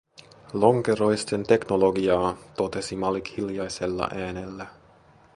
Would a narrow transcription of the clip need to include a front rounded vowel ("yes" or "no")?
no